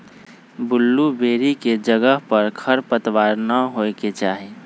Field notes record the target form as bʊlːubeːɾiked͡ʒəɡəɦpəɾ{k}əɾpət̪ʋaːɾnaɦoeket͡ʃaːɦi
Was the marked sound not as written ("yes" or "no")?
yes